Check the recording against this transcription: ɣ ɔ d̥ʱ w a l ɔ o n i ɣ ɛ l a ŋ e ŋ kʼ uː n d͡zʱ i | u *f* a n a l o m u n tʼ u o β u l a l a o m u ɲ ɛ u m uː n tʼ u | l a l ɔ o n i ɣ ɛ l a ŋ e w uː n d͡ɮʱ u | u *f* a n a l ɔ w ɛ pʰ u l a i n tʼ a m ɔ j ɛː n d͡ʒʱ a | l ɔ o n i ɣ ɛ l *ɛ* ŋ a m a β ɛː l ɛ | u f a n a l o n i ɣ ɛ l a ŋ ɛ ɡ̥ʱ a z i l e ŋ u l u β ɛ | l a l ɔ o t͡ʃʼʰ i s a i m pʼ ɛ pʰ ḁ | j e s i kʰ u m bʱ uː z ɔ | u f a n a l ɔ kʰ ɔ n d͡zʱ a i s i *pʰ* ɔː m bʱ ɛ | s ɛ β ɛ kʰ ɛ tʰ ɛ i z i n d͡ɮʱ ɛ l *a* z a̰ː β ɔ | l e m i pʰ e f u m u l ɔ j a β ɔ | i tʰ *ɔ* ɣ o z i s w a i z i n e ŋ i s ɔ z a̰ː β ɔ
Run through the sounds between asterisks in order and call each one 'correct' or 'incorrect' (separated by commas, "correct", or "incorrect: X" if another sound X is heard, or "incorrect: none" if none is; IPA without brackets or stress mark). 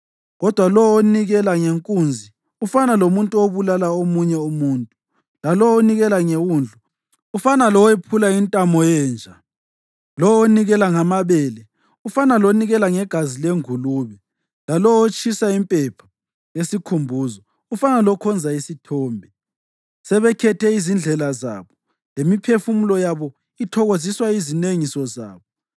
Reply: correct, correct, incorrect: a, incorrect: tʰ, correct, correct